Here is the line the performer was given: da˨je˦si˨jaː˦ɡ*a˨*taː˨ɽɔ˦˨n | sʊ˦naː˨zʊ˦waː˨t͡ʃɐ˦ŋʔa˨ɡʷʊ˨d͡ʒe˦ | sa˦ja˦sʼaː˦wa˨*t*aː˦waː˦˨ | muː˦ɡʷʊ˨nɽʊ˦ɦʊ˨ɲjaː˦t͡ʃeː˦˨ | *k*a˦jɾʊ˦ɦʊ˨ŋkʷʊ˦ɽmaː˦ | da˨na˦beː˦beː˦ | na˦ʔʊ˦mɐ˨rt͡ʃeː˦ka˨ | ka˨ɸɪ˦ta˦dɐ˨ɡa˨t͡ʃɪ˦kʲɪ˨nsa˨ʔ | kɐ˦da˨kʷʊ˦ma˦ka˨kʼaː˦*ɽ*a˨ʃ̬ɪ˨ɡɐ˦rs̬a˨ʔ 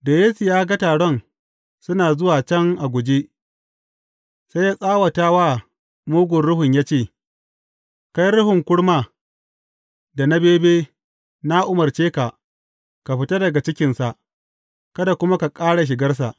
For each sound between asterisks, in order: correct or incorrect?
incorrect: a˦, correct, correct, correct

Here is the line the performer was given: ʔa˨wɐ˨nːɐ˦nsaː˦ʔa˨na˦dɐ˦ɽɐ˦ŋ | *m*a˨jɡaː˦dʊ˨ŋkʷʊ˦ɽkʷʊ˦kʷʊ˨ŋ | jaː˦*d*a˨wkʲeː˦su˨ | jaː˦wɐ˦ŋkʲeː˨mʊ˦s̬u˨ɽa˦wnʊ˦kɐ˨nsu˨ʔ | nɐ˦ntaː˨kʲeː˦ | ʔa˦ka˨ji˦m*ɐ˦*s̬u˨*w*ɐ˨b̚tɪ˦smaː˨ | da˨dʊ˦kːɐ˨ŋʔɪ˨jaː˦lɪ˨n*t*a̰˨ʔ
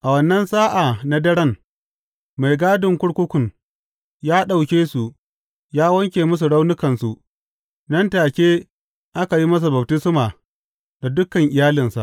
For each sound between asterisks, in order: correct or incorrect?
correct, incorrect: ɗ, correct, incorrect: b, incorrect: s

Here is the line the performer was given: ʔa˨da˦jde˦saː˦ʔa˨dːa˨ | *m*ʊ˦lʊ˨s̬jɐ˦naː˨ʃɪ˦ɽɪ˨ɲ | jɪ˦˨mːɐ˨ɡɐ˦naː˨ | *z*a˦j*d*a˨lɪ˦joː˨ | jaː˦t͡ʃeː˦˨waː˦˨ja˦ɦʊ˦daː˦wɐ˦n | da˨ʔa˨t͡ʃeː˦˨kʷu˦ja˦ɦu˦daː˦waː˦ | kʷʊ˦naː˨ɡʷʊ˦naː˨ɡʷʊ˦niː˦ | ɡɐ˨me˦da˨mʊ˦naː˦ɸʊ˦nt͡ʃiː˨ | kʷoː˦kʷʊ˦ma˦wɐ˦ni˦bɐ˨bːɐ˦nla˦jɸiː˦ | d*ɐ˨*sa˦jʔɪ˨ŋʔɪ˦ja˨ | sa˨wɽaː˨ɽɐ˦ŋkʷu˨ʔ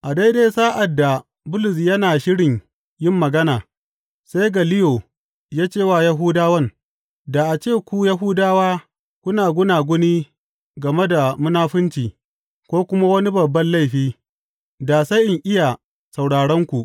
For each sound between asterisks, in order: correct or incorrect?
incorrect: b, incorrect: s, incorrect: ɡ, incorrect: a˨

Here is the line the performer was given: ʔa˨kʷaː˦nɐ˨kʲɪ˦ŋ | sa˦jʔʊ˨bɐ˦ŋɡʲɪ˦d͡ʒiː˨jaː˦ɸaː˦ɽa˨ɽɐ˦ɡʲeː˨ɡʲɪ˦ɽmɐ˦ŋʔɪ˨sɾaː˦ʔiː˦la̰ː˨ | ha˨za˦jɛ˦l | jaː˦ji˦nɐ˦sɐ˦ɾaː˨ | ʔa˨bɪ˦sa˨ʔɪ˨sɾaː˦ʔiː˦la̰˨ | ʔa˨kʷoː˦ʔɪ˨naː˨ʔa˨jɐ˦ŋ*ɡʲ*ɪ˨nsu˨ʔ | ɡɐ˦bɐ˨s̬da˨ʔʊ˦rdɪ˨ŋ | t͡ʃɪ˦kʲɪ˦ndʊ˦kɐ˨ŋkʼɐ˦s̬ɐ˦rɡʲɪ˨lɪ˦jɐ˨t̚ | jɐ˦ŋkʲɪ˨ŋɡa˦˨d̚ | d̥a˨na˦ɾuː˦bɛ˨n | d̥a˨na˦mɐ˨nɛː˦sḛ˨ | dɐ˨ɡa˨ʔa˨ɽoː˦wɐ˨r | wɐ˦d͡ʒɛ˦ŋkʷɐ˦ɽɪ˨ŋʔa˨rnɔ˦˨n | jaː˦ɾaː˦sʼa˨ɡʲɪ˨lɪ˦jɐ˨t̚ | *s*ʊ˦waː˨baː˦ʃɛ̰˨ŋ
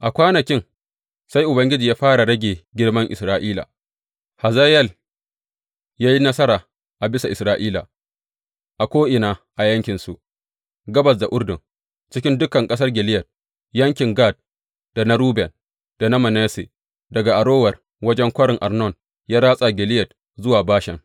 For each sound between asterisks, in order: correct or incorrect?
incorrect: kʲ, incorrect: z

